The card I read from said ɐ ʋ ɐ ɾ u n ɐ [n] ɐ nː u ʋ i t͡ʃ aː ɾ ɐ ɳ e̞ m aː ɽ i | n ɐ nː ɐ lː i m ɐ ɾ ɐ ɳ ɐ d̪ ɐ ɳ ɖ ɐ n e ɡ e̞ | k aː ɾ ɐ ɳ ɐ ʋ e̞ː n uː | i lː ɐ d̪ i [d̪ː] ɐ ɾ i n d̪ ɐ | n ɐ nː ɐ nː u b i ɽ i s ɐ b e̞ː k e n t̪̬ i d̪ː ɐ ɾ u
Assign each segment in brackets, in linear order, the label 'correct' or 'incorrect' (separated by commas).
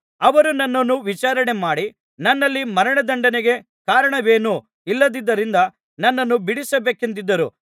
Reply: incorrect, correct